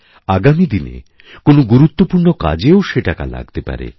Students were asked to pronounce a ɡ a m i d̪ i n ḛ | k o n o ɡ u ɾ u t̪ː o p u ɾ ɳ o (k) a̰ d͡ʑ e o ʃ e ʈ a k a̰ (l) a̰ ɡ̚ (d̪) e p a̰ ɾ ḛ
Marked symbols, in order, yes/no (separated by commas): yes, yes, no